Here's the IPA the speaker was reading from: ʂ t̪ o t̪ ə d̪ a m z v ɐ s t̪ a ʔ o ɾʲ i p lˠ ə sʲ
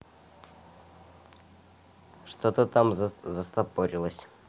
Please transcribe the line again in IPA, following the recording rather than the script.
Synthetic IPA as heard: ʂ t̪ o t̪ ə t̪ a m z z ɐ s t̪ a p o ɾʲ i lˠ ə sʲ